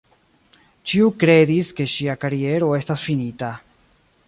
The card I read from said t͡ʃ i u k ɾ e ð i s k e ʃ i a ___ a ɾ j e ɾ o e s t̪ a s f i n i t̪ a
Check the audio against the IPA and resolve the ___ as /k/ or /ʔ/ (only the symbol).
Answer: k